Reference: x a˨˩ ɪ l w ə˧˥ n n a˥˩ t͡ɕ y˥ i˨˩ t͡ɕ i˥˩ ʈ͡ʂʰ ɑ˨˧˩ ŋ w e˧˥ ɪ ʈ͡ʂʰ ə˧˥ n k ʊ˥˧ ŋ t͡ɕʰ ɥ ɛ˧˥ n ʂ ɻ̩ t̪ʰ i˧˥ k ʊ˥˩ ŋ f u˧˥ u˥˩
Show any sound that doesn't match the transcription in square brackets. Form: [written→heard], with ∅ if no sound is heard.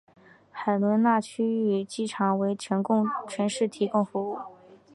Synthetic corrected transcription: x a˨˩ ɪ l w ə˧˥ n n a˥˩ [t͡ɕ→t͡ɕʰ] y˥ [i˨˩→y˨˩] t͡ɕ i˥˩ ʈ͡ʂʰ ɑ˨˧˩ ŋ w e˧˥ ɪ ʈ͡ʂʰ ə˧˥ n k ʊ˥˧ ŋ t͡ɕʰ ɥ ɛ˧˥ n ʂ ɻ̩ t̪ʰ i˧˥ k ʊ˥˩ ŋ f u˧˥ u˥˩